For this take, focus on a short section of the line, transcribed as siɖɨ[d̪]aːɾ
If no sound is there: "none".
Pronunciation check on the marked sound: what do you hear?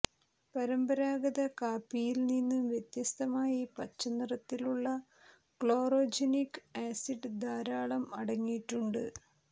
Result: d̪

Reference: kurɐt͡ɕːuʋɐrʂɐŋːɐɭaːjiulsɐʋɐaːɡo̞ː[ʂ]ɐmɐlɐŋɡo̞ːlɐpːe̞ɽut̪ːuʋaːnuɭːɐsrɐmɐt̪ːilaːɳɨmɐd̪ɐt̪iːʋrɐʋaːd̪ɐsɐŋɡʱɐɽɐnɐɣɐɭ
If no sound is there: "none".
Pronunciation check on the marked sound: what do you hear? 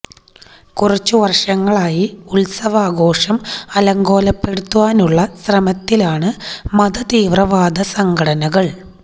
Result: ʂ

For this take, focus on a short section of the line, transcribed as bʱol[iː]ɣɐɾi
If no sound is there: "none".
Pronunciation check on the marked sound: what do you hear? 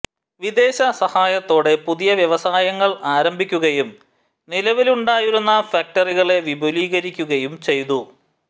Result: iː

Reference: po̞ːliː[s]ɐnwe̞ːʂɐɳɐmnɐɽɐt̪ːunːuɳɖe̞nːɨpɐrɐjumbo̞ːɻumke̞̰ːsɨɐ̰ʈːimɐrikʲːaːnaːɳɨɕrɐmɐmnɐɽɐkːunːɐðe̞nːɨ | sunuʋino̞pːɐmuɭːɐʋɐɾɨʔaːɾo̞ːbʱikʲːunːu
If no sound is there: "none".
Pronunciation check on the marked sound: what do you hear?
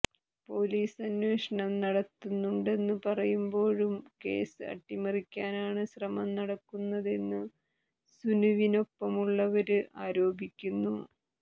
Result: s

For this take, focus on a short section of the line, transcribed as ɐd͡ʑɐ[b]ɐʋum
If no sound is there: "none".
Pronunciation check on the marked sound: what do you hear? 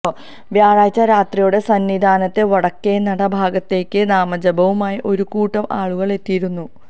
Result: b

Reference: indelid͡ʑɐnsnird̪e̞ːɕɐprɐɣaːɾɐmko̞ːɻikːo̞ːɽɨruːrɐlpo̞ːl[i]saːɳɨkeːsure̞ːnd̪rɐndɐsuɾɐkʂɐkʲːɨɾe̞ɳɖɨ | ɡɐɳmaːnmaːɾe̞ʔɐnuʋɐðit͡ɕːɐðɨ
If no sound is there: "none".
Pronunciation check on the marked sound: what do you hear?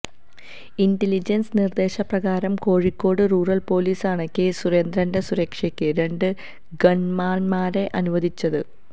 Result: iː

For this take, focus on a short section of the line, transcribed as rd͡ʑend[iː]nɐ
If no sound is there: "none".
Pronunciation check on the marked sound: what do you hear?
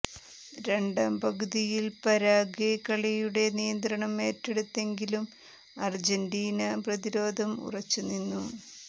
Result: iː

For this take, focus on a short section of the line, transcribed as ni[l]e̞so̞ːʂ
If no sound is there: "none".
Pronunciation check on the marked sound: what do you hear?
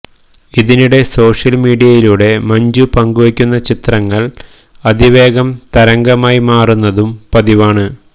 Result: ɽ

